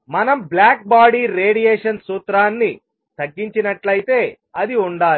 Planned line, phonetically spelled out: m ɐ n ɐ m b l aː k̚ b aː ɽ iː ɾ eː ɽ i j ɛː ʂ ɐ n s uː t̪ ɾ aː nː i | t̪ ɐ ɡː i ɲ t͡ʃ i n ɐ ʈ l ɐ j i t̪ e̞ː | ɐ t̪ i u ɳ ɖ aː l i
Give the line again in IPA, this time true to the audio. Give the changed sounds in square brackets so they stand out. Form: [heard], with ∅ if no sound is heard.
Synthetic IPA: m ɐ n ɐ m b l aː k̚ b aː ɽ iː ɾ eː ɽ i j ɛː ʂ ɐ n s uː t̪ ɾ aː nː i | t̪ ɐ ɡː i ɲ t͡ʃ i n ɐ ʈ l ɐ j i t̪ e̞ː | ɐ [d̪] i u ɳ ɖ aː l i